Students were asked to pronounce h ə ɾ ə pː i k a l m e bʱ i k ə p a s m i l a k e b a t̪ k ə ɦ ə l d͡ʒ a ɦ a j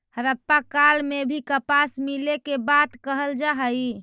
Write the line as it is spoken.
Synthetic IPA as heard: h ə ɾ ə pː a k a l m e bʱ i k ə p a s m i l e k e b a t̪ k ə ɦ ə l d͡ʒ a ɦ ə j